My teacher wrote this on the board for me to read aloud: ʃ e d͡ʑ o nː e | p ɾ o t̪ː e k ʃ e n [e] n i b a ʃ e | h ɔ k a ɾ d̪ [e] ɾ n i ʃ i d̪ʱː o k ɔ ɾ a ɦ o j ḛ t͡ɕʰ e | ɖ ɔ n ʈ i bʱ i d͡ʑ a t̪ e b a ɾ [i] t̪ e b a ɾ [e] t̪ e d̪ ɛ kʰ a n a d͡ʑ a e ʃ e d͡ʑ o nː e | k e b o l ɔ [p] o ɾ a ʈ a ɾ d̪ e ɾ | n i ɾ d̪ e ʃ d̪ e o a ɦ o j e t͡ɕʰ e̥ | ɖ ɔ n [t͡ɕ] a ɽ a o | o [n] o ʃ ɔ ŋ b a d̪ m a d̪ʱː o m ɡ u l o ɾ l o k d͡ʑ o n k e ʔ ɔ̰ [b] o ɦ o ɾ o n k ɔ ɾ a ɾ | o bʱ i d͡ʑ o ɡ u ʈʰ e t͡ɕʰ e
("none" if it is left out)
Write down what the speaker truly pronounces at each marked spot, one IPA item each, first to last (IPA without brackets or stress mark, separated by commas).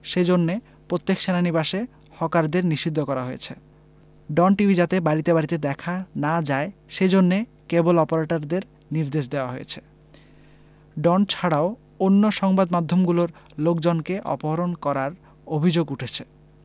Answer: a, e, i, i, p, t͡ɕʰ, nː, p